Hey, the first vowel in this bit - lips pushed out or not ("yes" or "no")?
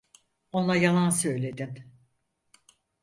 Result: yes